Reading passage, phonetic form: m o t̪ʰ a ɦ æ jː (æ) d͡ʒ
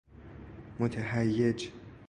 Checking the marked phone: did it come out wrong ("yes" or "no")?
yes